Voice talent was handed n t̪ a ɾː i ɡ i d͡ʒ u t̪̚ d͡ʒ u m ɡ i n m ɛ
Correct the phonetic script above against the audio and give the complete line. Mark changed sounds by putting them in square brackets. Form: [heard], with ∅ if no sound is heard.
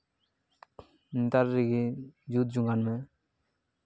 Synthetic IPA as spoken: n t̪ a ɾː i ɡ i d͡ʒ u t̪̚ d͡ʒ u [ŋ] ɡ [a] n m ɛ